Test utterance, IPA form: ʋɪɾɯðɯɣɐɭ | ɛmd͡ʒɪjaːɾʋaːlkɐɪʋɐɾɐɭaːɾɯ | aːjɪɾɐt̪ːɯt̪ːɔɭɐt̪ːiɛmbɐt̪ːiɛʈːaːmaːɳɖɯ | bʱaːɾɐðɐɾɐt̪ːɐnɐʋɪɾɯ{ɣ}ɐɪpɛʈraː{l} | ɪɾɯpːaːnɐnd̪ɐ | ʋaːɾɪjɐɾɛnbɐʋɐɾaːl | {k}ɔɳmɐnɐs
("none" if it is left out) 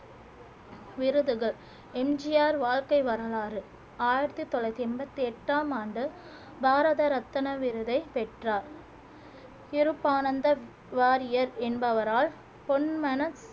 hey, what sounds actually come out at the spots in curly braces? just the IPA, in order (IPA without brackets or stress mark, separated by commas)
ð, ɾ, p